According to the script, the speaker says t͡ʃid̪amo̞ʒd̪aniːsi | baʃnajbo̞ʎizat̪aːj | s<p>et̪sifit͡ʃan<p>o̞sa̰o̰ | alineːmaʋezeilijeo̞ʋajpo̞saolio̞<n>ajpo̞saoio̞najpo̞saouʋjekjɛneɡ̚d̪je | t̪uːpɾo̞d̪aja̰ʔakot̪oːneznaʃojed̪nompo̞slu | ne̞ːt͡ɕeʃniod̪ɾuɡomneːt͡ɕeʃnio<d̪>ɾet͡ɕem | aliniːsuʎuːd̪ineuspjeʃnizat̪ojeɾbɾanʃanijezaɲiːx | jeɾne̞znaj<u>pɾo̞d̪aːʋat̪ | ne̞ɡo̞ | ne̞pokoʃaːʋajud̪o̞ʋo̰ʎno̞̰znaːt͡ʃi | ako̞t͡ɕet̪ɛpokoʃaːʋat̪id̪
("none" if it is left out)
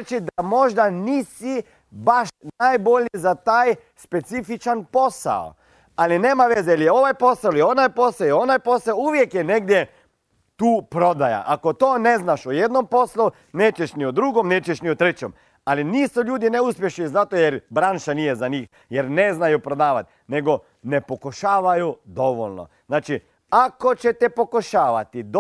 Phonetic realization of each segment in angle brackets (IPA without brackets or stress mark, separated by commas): p, p, n, t̪, u